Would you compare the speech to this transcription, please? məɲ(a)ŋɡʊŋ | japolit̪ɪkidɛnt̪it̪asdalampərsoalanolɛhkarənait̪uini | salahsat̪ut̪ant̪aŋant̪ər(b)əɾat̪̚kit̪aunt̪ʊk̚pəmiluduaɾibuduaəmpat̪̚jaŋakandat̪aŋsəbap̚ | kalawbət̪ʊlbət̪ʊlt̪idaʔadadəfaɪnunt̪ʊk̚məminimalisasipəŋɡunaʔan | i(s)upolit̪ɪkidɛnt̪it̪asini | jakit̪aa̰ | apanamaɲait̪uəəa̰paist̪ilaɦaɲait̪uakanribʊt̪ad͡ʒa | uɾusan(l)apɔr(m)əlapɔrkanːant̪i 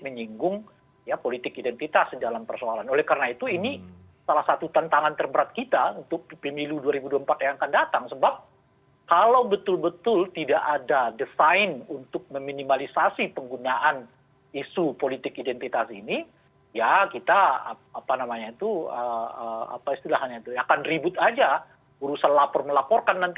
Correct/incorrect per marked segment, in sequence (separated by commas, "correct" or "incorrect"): incorrect, correct, correct, correct, correct